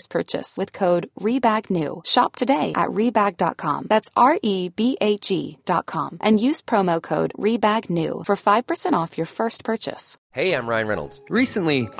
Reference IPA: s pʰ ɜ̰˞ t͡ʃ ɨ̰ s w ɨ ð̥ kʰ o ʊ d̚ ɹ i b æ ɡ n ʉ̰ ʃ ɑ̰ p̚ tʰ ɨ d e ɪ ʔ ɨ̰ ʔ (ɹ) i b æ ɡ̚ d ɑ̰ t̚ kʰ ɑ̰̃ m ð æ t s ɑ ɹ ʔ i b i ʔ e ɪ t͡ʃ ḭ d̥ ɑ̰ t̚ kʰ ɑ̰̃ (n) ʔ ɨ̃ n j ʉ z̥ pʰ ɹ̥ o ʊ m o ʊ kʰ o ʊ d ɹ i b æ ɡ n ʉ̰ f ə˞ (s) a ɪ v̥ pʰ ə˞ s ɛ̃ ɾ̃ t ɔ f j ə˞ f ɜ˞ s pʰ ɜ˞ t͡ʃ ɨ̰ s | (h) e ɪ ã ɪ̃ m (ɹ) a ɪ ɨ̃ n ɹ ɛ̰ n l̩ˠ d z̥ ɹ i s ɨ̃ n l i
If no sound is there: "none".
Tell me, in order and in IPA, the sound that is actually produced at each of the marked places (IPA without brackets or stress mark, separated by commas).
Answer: ɹ, m, f, h, ɹ